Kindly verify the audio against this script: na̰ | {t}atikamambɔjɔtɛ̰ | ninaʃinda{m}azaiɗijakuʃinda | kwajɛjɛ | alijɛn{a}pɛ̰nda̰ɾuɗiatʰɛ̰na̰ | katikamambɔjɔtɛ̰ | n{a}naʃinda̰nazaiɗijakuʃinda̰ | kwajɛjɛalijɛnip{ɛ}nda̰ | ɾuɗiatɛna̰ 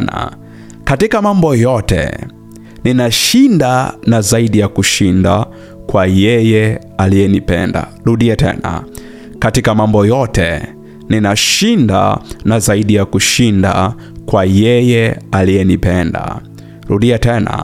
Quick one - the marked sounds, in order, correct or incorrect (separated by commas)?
incorrect, incorrect, incorrect, incorrect, correct